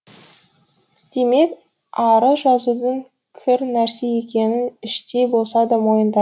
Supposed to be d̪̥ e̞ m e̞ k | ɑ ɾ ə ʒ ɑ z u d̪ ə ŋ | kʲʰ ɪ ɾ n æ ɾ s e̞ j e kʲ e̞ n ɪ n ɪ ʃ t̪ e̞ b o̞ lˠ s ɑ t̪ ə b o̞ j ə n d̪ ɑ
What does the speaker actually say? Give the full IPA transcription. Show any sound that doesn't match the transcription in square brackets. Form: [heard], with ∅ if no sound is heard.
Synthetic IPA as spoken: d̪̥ e̞ m e̞ k | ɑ ɾ ə ʒ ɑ z u d̪ ə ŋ | kʲʰ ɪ ɾ n æ ɾ s e̞ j e kʲ e̞ n ɪ n ɪ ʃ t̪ e̞ b o̞ lˠ s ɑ [d̪] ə [m] o̞ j ə n d̪ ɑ